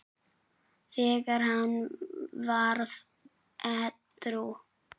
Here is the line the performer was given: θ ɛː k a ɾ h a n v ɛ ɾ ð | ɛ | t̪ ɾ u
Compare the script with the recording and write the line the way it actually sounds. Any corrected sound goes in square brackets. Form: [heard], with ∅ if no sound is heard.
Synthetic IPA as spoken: θ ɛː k a ɾ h a n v [a] ɾ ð | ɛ | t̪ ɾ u